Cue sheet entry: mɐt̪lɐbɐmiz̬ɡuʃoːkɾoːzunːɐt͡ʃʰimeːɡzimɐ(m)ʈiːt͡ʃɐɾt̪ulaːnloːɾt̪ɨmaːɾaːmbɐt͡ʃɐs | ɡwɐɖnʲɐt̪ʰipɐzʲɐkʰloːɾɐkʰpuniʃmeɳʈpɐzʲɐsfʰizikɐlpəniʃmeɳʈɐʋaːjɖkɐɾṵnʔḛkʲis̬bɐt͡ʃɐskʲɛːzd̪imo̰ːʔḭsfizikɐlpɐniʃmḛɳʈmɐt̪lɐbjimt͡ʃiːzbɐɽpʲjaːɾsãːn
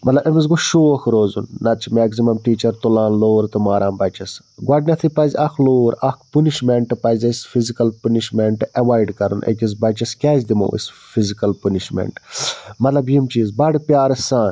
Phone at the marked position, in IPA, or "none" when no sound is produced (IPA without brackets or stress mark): m